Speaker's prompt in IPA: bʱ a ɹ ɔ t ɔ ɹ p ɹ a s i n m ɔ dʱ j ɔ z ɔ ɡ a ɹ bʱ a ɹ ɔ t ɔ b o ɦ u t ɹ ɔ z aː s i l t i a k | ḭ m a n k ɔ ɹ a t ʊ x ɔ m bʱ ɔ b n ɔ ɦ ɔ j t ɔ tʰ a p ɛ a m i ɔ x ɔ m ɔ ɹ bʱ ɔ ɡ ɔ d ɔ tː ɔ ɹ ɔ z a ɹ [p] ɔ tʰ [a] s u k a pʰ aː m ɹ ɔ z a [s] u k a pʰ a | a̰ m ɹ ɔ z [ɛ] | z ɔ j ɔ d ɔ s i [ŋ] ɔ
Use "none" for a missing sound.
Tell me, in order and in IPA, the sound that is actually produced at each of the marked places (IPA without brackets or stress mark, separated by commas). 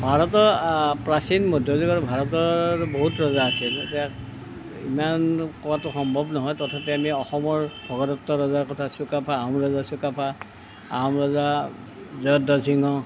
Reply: k, a, s, a, ŋ